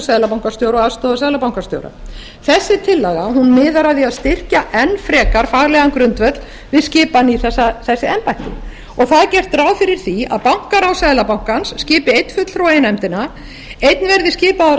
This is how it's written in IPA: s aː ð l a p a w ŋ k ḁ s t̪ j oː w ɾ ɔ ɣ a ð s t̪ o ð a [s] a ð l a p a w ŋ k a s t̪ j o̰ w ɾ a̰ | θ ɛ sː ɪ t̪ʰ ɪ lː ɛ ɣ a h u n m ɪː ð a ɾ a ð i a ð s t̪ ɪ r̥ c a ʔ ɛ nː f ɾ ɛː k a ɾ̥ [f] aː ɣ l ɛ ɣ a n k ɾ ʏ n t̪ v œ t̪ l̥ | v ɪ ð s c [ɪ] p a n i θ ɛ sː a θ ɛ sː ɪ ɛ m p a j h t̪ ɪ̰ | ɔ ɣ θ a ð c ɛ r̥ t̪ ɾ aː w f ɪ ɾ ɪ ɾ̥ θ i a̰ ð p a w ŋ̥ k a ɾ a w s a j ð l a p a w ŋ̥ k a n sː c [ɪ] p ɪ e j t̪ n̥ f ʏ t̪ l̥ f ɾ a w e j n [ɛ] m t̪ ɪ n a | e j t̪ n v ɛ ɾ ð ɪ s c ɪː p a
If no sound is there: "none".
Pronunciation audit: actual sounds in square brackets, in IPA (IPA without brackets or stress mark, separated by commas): s, f, ɪː, ɪː, ɛ